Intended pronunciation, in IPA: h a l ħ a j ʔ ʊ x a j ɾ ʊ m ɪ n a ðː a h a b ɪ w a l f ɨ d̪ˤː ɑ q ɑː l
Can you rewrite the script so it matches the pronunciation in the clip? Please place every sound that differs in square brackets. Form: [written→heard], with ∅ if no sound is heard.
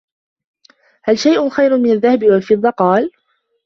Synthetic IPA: h a l [ħ→ʃ] a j ʔ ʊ x a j ɾ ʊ m ɪ n a ðː a h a b ɪ w a l f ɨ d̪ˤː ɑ q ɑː l